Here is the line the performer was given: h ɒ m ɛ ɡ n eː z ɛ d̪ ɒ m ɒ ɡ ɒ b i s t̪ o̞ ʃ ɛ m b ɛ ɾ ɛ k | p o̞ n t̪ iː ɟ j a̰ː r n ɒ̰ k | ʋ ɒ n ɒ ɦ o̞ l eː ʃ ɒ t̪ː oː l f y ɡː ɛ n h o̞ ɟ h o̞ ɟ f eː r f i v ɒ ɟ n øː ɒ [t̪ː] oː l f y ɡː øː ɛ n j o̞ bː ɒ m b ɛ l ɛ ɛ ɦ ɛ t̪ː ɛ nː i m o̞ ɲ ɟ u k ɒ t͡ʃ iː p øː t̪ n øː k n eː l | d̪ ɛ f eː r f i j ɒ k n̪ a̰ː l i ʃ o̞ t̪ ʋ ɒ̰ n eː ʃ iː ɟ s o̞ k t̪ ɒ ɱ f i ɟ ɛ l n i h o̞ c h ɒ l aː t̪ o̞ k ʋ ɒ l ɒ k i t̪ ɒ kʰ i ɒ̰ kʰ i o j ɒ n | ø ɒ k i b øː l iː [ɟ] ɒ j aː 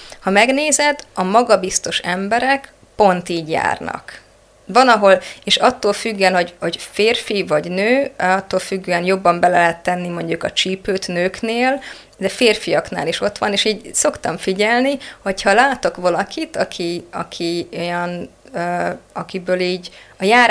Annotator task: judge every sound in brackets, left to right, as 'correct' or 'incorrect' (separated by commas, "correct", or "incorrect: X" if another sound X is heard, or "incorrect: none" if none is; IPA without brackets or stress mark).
correct, correct